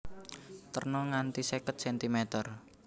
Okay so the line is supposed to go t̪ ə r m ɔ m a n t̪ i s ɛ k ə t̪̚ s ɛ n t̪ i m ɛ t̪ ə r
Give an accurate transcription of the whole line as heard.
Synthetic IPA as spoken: t̪ ə r n ɔ ŋ a n t̪ i s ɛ k ə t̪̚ s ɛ n t̪ i m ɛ t̪ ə r